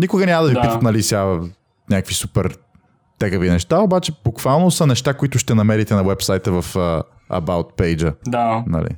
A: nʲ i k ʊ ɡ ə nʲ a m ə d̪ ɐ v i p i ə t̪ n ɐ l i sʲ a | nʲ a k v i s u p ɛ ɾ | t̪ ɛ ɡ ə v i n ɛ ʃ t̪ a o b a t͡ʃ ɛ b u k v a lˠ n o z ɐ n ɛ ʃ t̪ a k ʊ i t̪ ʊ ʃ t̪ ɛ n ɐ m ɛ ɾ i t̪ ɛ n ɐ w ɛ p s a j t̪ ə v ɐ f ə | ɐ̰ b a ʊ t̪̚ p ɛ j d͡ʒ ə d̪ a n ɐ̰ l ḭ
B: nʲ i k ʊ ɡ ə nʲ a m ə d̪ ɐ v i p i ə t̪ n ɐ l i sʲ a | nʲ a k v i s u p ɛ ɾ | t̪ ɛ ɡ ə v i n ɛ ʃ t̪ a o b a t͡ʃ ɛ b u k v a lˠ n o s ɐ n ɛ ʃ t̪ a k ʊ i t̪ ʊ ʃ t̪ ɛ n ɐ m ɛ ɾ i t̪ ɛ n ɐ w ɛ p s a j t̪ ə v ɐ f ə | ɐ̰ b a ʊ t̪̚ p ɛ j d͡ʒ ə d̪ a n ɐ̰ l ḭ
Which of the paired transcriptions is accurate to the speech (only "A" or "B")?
B